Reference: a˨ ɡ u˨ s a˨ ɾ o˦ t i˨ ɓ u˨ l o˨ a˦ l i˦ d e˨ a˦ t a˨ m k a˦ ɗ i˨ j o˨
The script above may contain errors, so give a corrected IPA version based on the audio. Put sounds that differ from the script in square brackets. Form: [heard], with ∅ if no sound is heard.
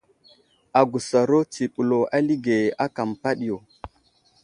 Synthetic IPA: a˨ ɡ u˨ s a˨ ɾ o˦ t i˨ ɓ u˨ l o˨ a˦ l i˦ [ɡ] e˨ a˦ [k] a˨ m [p] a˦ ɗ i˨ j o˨